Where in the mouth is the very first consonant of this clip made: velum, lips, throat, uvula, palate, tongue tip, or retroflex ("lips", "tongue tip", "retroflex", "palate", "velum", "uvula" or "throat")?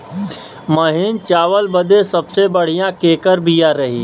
lips